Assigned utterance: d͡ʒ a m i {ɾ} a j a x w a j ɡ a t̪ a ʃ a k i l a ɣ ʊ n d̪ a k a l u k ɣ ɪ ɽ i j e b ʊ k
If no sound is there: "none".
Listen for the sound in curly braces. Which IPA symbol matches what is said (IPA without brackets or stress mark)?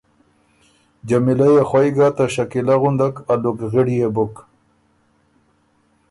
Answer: l